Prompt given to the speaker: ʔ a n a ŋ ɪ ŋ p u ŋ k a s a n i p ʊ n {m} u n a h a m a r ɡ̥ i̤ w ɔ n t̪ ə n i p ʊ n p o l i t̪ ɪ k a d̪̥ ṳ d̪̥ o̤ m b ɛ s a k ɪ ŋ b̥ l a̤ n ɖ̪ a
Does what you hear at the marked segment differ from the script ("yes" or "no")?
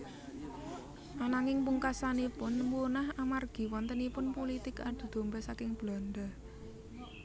no